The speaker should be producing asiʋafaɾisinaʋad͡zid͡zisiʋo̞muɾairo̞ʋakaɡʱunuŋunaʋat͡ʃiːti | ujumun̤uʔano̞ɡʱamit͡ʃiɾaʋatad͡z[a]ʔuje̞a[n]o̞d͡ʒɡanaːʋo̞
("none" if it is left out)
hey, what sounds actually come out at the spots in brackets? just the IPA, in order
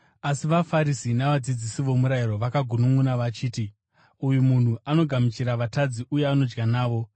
i, n

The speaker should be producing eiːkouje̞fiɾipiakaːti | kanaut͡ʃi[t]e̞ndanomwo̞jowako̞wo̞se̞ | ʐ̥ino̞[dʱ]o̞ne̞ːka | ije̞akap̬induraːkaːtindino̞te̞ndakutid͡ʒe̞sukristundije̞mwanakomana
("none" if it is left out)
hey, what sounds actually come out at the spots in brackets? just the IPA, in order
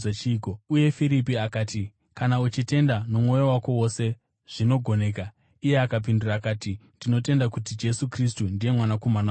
t, ɡʱ

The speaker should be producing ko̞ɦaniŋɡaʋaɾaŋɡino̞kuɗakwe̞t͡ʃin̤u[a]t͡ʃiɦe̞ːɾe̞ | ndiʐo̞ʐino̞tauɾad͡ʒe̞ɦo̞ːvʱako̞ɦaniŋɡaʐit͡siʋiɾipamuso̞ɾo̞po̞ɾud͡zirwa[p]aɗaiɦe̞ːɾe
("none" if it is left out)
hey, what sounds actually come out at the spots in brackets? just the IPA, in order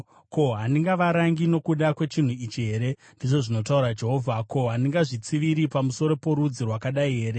i, k

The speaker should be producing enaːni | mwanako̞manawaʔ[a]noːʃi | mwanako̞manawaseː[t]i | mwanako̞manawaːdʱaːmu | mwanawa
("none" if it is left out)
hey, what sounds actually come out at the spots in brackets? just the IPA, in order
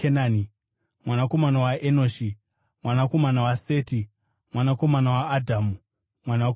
e, t

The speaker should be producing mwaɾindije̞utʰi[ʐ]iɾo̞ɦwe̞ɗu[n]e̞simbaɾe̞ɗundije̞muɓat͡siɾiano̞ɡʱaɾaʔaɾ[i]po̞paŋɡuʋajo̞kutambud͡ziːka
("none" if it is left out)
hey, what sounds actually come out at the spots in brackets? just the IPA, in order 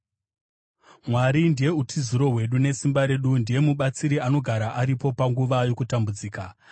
z, n, i

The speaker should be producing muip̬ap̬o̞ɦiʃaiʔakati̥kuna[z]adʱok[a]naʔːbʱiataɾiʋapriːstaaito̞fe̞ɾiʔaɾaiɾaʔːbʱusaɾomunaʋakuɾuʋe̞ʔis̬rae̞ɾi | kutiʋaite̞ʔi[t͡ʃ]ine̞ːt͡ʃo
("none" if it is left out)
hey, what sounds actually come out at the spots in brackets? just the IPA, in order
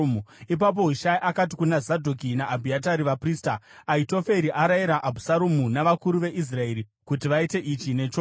z, i, t͡ʃ

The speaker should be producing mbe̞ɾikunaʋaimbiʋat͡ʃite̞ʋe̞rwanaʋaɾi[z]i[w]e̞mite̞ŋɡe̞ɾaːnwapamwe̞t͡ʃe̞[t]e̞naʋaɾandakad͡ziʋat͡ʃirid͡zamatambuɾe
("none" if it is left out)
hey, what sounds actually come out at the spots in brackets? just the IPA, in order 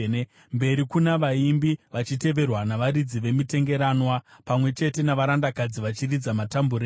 d͡z, ʋ, t

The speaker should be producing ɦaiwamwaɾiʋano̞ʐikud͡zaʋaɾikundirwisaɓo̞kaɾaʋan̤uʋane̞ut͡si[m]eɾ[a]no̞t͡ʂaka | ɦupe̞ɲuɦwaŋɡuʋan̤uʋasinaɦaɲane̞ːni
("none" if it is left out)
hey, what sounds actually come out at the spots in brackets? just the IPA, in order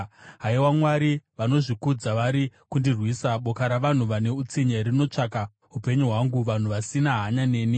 ɲ, i

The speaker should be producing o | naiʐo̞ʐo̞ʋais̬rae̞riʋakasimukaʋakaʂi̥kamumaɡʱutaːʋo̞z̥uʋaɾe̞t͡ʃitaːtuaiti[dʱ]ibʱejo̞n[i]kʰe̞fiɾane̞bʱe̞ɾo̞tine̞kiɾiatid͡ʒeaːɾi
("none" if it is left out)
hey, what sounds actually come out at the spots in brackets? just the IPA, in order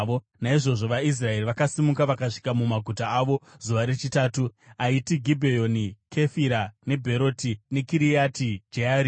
ɡʱ, i

